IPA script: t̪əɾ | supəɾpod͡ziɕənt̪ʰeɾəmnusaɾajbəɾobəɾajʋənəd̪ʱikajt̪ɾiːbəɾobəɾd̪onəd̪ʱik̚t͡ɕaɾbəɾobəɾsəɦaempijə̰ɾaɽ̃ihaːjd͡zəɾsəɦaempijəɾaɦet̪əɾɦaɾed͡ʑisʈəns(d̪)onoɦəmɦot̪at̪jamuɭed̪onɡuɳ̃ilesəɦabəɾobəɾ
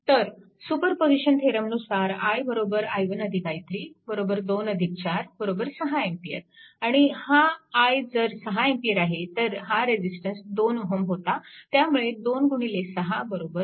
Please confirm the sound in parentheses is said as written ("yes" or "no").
yes